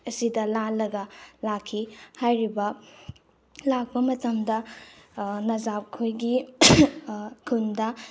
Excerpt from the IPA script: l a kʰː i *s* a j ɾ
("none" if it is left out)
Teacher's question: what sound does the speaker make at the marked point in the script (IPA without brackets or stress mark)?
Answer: h